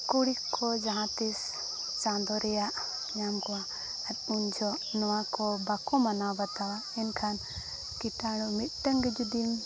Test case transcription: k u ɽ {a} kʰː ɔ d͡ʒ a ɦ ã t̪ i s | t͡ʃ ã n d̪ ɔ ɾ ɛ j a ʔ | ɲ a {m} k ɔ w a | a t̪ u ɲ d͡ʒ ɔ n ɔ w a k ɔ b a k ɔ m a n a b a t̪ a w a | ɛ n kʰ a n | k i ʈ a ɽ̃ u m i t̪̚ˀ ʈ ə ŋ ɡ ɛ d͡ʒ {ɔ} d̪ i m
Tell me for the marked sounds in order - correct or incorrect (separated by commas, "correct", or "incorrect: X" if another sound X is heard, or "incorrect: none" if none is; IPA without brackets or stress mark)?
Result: incorrect: i, correct, incorrect: u